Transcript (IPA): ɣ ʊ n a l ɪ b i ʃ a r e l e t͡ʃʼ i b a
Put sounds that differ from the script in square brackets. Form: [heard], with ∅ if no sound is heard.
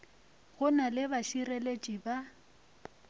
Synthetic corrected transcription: ɣ ʊ n a l ɪ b [a] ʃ [i] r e l e t͡ʃʼ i b a